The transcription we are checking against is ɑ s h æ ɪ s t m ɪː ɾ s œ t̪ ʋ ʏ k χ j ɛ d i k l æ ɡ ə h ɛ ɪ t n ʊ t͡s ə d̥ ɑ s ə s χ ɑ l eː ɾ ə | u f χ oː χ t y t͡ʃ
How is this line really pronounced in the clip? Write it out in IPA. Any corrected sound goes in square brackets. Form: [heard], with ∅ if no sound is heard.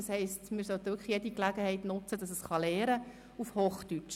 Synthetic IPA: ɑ s h [ɛ] ɪ s t m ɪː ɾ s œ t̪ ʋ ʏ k χ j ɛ d i k l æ ɡ ə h ɛ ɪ t n ʊ t͡s ə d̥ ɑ s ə s χ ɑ l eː ɾ ə | u f [h] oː χ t y t͡ʃ